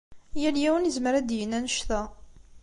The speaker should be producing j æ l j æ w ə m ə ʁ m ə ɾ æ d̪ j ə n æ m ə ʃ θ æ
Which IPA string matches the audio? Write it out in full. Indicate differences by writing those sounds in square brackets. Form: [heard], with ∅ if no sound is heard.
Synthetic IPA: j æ l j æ w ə [n] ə [z] m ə ɾ æ d̪ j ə n æ [n] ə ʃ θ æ

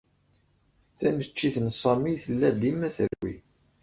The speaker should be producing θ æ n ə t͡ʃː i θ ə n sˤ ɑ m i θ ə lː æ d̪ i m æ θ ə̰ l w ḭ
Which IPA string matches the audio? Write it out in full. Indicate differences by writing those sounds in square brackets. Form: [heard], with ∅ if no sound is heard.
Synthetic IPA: θ æ n ə t͡ʃː i θ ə n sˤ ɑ m i θ ə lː æ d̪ i m æ θ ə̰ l w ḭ

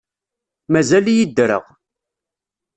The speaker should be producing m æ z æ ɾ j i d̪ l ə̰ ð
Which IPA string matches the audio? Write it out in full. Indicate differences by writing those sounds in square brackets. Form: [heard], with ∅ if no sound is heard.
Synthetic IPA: m æ z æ [l] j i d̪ [ɾ] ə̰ [ʁ]

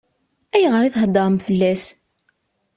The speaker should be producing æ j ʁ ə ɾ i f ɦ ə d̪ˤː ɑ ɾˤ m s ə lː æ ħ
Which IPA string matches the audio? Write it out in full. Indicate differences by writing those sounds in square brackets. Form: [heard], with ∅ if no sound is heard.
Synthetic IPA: æ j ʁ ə ɾ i [θ] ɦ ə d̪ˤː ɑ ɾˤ m [f] ə lː æ [s]

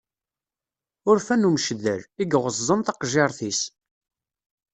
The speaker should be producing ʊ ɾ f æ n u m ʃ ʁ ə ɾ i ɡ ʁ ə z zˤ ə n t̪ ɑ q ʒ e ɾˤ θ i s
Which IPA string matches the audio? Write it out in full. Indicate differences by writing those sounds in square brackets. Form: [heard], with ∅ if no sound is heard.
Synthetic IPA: ʊ ɾ f æ n u m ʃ [ð] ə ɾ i ɡ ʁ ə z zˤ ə n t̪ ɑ q ʒ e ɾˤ θ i s

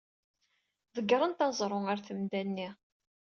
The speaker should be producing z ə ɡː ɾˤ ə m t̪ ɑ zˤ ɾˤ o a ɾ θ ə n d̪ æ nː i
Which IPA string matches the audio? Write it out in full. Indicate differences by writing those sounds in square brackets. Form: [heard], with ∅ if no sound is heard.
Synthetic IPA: [ð] ə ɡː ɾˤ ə [n] t̪ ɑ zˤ ɾˤ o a ɾ θ ə [m] d̪ æ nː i

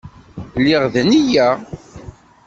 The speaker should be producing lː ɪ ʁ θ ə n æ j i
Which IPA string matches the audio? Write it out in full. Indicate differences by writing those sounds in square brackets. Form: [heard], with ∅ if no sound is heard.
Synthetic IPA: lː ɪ ʁ [ð] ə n [i] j [æ]

